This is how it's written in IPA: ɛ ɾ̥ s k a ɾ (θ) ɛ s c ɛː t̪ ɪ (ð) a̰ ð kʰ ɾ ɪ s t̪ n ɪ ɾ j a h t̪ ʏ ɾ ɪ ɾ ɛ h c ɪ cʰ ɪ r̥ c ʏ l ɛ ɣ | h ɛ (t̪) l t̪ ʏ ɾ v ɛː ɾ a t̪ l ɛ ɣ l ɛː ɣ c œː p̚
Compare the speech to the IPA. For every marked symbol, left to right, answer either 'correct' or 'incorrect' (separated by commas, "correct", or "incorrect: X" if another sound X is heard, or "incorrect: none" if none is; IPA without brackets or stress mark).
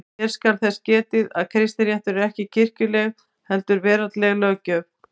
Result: correct, correct, incorrect: none